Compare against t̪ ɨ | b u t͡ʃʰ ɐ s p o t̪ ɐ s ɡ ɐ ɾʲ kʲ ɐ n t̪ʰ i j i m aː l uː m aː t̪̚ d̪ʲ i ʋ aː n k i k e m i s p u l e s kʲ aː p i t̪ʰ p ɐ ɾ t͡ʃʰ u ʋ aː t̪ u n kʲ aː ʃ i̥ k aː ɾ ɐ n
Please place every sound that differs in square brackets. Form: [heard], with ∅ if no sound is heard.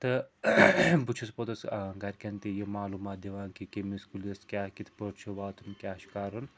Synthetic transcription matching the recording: t̪ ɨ | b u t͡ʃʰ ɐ s p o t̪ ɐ s ɡ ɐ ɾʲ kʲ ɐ n [t̪] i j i m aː l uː m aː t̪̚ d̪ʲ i ʋ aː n k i k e m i s [k] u l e s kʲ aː [k] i t̪ʰ p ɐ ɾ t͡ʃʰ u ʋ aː t̪ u n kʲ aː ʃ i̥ k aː ɾ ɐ n